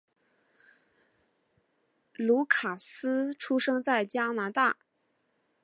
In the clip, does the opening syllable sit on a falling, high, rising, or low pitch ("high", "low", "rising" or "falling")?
rising